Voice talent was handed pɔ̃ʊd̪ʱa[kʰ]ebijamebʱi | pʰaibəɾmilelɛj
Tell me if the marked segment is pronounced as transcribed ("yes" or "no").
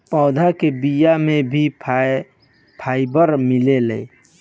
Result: no